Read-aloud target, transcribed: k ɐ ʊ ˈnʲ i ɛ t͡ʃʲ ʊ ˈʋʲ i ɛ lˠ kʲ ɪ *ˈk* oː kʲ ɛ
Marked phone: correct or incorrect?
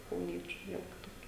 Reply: incorrect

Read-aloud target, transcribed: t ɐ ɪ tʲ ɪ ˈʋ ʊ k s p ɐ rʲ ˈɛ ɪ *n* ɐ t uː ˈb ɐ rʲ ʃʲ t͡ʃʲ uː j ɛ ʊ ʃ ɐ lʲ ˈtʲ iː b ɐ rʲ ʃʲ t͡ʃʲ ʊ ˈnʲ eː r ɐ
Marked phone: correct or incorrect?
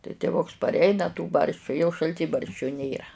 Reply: correct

